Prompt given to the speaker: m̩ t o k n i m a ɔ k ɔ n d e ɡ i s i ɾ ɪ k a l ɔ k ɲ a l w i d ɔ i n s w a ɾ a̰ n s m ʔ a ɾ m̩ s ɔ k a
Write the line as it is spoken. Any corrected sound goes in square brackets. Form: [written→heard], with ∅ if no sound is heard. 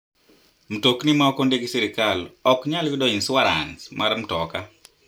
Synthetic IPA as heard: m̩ t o k n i m a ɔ k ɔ n d e ɡ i s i ɾ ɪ k a l ɔ k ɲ a l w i d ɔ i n s w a ɾ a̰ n s m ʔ a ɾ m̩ [s→t] ɔ k a